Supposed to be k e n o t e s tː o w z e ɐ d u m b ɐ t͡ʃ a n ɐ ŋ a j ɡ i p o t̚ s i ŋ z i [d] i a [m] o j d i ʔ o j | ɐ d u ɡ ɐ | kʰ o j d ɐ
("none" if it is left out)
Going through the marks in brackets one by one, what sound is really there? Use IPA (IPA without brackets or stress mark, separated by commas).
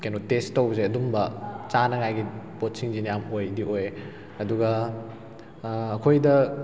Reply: n, m